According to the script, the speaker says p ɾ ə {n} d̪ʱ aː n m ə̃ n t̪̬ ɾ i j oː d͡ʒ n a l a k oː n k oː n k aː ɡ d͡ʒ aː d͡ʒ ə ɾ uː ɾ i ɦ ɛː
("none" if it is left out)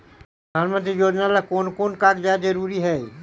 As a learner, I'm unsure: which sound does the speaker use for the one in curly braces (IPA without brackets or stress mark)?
none